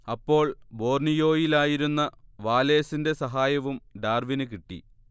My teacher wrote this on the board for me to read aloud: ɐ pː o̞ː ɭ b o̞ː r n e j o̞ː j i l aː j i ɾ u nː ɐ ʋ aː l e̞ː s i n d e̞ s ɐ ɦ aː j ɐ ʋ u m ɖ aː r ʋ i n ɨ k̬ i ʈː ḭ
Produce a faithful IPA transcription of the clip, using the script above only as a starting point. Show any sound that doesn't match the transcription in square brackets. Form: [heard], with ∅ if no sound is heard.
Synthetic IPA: ɐ pː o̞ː ɭ b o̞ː r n [i] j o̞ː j i l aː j i ɾ u nː ɐ ʋ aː l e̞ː s i n d e̞ s ɐ ɦ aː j ɐ ʋ u m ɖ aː r ʋ i n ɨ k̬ i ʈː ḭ